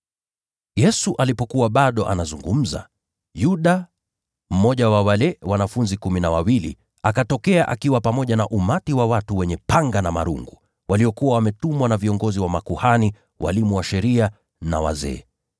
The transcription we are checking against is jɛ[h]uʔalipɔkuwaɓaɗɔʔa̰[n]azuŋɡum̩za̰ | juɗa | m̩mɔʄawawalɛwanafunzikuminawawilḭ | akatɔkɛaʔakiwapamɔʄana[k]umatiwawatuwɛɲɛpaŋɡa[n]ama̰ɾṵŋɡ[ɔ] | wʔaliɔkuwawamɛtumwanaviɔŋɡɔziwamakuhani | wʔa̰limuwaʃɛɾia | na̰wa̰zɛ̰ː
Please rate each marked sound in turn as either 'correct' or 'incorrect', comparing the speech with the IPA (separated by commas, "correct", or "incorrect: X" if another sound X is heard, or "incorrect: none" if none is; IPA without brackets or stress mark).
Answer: incorrect: s, correct, incorrect: ʔ, correct, incorrect: u